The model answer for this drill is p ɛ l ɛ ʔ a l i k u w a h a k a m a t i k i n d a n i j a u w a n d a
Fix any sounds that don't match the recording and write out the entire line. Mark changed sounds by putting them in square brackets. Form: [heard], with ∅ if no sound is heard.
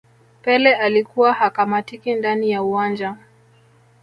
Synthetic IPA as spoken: p ɛ l ɛ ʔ a l i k u w a h a k a m a t i k i n d a n i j a u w a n [d͡ʒ] a